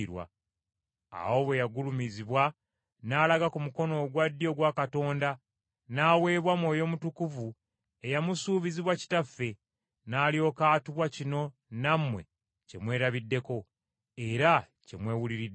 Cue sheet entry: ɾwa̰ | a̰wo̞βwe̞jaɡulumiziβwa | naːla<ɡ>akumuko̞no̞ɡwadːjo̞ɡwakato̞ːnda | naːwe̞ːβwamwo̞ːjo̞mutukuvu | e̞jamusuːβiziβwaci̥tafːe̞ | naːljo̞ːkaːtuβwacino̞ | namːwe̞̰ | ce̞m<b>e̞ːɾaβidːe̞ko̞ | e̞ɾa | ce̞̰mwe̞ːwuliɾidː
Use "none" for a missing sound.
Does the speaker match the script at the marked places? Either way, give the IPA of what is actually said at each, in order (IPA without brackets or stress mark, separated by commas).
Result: ɡ, w